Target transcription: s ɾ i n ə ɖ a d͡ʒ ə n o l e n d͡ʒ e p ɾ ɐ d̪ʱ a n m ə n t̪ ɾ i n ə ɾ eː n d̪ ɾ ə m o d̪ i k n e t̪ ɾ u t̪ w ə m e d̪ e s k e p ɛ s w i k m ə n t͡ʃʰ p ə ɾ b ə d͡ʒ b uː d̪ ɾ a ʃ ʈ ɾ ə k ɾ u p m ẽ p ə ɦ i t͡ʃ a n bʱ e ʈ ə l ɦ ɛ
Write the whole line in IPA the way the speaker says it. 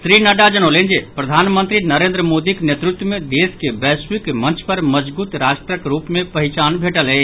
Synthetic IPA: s ɾ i n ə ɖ a d͡ʒ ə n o l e n d͡ʒ e p ɾ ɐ d̪ʱ a n m ə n t̪ ɾ i n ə ɾ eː n d̪ ɾ ə m o d̪ i k n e t̪ ɾ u t̪ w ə m e d̪ e s k e b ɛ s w i k m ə n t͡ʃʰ p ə ɾ m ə d͡ʒ b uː t̪ ɾ a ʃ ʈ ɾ ə k ɾ u p m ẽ p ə ɦ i t͡ʃ a n bʱ e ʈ ə l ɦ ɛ